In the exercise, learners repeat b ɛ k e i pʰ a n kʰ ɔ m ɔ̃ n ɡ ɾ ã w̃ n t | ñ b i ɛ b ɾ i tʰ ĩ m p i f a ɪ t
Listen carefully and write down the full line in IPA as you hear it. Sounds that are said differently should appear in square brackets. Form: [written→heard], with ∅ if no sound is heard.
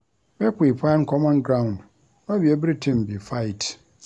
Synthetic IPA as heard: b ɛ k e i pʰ a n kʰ ɔ m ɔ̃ n ɡ ɾ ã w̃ n [t→d] | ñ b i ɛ b ɾ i tʰ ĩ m [p→b] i f a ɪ t

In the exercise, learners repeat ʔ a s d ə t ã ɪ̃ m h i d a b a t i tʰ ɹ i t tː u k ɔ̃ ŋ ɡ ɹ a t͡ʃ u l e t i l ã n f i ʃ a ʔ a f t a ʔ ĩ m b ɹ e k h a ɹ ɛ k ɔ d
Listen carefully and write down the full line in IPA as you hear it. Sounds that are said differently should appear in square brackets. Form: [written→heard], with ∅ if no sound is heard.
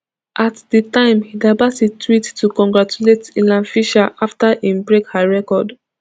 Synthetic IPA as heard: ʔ a [s→t] d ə t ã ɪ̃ m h i d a b a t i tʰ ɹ i t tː u k ɔ̃ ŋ ɡ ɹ a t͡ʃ u l e t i l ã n f i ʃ a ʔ a f t a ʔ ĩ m b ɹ e k h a ɹ ɛ k ɔ d

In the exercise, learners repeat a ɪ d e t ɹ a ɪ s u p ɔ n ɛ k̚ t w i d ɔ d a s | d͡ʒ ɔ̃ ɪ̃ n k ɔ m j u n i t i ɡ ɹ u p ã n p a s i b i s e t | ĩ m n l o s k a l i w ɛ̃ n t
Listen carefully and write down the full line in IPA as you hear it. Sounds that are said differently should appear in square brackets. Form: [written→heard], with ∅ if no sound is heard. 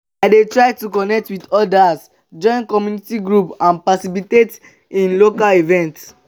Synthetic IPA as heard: a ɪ d e t ɹ a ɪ [s→t] u [p→k] ɔ n ɛ k̚ t w i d ɔ d a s | d͡ʒ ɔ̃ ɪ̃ n k ɔ m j u n i t i ɡ ɹ u p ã n p a s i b i [s→t] e t | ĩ [m→∅] n l o [s→∅] k a l i [w→v] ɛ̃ n t

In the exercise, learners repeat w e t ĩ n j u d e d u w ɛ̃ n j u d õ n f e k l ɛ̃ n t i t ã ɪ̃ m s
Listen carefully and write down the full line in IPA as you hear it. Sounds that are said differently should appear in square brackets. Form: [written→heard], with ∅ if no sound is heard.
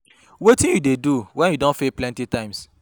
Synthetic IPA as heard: w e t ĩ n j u d e d u w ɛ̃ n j u d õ n f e [k→p] l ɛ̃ n t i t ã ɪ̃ m s

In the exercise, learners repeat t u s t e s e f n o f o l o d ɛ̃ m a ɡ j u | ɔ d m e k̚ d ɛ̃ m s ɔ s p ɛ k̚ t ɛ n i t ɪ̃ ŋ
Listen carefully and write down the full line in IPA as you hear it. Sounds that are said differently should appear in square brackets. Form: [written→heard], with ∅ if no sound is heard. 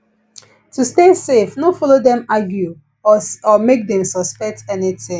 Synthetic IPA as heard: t u s t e s e f n o f [o→ɔ] l o d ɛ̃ m a ɡ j u | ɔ [d→∅] m e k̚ d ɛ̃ m s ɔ s p ɛ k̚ t ɛ n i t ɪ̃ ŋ

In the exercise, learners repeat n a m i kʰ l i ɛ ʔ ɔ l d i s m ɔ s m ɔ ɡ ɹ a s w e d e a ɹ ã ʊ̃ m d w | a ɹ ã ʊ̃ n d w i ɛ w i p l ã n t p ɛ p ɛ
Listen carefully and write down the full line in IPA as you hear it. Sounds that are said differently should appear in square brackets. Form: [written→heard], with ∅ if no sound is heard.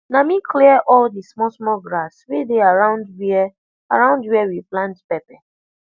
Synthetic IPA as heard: n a m i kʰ l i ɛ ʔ ɔ l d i s m ɔ s m ɔ ɡ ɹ a s w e d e a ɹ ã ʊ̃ [m→n] d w | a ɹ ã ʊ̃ n d w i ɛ w i p l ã n t p ɛ p ɛ

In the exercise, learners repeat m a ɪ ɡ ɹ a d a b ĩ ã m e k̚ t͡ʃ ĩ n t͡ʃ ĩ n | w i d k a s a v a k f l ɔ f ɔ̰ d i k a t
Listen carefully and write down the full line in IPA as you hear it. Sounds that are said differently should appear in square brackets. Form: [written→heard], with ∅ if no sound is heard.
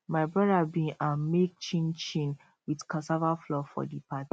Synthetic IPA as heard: m a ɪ [ɡ→b] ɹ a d a b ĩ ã m e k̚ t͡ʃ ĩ n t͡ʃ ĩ n | w i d k a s a v a [k→∅] f l ɔ f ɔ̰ d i [k→p] a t

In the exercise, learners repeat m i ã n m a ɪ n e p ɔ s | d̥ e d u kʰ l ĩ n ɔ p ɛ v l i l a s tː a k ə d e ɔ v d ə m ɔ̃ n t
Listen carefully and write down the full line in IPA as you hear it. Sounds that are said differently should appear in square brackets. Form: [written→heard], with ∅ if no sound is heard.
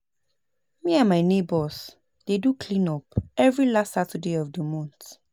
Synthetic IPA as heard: m i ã n m a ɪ n e [p→b] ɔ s | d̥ e d u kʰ l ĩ n ɔ p ɛ v [l→ɹ] i l a s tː a [k→t] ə d e ɔ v d ə m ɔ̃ n t

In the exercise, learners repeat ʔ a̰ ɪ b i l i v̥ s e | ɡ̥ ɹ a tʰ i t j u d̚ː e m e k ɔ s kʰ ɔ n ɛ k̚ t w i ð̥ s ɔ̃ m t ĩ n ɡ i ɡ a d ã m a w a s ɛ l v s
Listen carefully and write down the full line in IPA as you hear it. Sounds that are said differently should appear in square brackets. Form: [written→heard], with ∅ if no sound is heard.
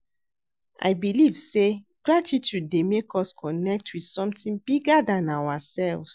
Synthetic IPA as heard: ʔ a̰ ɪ b i l i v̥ s e | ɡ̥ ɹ a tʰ i t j u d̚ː e m e k ɔ s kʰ ɔ n ɛ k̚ t w i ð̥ s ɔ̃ m t ĩ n [ɡ→b] i ɡ a d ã [m→n] a w a s ɛ l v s

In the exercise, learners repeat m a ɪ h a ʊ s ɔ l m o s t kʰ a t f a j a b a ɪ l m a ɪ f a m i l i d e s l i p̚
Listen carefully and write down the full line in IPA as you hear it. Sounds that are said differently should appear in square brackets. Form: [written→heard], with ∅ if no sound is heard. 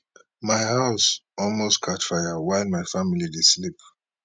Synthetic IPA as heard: m a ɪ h a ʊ s ɔ l m o s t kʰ a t f a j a [b→w] a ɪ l m a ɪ f a m i l i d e s l i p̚

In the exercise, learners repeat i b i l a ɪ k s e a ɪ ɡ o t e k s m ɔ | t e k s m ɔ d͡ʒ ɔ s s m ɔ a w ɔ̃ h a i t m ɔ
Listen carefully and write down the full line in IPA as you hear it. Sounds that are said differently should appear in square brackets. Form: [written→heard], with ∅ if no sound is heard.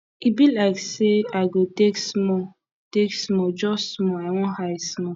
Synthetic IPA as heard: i b i l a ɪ k s e a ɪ ɡ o t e k s m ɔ | t e k s m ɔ d͡ʒ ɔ s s m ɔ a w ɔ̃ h a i [t→s] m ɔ

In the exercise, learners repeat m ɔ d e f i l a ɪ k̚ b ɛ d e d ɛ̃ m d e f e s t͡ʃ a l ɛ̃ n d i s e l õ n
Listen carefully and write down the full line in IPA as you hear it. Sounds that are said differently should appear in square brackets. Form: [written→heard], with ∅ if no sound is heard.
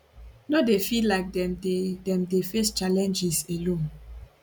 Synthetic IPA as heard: [m→n] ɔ d e f i l a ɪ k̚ [b→d] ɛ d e d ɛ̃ m d e f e s t͡ʃ a l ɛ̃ n [d→d͡ʒ] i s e l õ n

